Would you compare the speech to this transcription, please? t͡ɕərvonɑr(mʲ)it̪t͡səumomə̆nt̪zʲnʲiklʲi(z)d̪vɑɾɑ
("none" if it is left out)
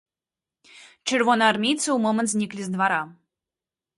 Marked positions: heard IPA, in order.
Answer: mʲ, z

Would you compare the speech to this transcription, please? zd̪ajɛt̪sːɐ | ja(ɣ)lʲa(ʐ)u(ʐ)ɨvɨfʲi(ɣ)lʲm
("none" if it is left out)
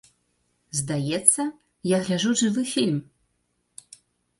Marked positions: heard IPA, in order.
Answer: ɣ, ʐ, ʐ, none

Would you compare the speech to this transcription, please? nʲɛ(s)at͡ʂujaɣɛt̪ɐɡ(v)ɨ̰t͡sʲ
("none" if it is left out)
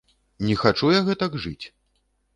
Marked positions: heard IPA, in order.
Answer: x, ʐ

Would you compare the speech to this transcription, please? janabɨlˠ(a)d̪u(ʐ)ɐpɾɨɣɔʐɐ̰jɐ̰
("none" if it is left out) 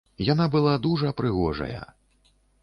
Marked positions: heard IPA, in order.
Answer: a, ʐ

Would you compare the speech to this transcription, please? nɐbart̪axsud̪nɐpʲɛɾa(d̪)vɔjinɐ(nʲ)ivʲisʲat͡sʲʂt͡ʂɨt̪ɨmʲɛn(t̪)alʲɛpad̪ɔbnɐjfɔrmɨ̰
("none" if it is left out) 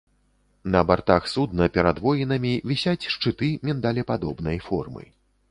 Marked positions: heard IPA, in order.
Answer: d̪, mʲ, d̪

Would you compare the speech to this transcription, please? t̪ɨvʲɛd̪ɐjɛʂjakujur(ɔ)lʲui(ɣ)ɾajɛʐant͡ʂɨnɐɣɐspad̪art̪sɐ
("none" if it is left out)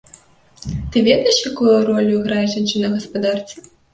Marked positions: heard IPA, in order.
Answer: ɔ, ɣ

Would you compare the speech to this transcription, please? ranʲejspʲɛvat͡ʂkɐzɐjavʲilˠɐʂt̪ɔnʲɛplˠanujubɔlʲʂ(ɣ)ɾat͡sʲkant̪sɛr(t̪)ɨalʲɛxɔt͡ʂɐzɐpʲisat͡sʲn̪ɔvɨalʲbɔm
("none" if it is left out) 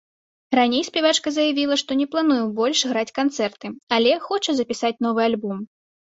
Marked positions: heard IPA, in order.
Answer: ɣ, t̪

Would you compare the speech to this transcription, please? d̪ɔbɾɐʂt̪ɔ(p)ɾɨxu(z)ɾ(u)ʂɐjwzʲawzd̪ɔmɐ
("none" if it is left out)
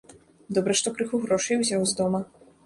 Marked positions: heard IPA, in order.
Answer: k, ɣ, ɔ

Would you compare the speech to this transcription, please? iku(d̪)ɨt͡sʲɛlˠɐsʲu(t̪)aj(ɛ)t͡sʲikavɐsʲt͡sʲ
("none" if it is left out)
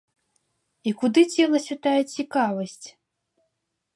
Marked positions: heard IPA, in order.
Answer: d̪, t̪, ɛ

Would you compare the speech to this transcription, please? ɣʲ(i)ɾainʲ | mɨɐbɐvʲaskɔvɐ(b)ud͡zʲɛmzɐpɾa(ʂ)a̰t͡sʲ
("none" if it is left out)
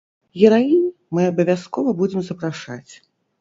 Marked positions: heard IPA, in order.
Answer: ɛ, b, ʂ

